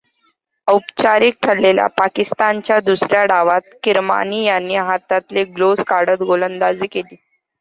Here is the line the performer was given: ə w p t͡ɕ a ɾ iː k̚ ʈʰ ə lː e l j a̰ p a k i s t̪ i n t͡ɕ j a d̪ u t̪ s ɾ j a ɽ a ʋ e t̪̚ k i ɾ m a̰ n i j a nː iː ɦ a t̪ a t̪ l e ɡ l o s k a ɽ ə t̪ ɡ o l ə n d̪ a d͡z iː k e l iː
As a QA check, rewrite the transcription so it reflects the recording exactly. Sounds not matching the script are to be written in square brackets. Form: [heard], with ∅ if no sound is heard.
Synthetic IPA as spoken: ə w p t͡ɕ a ɾ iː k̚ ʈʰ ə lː e l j a̰ p a k i s t̪ [a] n t͡ɕ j a d̪ u [∅] s ɾ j a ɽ a ʋ [a] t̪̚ k i ɾ m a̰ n i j a nː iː ɦ a t̪ a t̪ l e ɡ l o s k a ɽ ə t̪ ɡ o l ə n d̪ a d͡z iː k e l iː